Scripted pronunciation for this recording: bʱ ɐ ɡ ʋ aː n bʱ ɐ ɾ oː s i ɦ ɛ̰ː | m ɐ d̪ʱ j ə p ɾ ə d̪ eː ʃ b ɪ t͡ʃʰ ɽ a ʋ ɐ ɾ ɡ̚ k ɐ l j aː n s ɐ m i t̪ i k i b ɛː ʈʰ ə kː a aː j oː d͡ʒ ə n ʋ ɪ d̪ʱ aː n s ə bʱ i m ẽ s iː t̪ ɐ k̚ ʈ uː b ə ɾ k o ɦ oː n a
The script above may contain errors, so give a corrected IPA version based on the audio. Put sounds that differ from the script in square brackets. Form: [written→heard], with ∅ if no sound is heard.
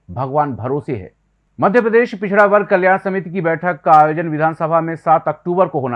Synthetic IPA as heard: bʱ ɐ ɡ ʋ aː n bʱ ɐ ɾ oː s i ɦ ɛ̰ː | m ɐ d̪ʱ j ə p ɾ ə d̪ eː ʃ [b→p] ɪ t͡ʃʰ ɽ a ʋ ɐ ɾ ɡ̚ k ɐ l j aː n s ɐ m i t̪ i k i b ɛː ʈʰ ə kː a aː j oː d͡ʒ ə n ʋ ɪ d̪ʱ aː n s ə bʱ [i→a] m ẽ s [iː→aː] t̪ ɐ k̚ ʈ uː b ə ɾ k o ɦ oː n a